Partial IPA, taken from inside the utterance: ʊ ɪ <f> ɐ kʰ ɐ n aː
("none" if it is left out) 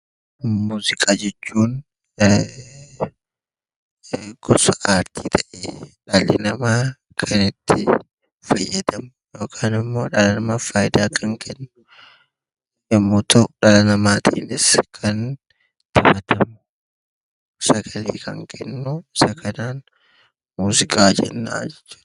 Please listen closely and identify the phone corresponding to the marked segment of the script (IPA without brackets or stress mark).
s